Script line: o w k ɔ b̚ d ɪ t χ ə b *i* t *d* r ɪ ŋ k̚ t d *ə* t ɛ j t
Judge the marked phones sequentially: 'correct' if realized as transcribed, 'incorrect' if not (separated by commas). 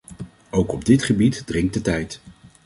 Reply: correct, correct, correct